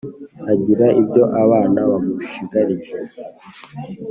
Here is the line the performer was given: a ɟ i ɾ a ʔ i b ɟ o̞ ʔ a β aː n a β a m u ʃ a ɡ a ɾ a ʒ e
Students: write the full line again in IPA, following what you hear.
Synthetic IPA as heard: a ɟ i ɾ a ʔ i b ɟ o̞ ʔ a β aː n a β a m u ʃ i ɡ a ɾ i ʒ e